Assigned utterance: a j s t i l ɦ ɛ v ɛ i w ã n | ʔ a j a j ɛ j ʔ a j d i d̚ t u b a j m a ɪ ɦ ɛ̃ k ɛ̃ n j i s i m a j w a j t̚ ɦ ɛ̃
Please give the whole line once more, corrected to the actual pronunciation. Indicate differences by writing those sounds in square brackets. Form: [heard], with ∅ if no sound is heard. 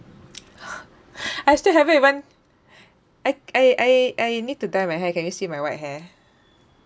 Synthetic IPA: a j s t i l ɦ ɛ v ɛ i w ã n | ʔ a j a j [a] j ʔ a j [n] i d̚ t u [d] a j m a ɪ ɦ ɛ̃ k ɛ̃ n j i s i m a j w a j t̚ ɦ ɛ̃